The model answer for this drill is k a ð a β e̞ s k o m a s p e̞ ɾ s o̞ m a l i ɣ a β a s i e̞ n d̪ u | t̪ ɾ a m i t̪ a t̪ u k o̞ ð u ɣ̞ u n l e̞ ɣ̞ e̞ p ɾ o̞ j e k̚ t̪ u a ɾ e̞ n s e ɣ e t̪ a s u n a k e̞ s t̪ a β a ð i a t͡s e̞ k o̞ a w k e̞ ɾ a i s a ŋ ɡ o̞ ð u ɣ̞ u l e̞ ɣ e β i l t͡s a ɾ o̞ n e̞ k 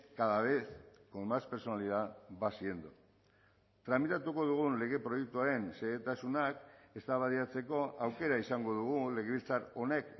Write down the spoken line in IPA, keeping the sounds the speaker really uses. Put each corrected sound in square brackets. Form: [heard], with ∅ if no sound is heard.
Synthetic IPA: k a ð a β e̞ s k o m a s p e̞ ɾ s o̞ [n] a l i [ð] a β a s i e̞ n d̪ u | t̪ ɾ a m i t̪ a t̪ u k o̞ ð u ɣ̞ u n l e̞ ɣ̞ e̞ p ɾ o̞ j e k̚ t̪ u a ɾ e̞ n s e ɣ e t̪ a s u n a k e̞ s t̪ a β a ð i a t͡s e̞ k o̞ a w k e̞ ɾ a i s a ŋ ɡ o̞ ð u ɣ̞ u l e̞ ɣ e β i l t͡s a ɾ o̞ n e̞ k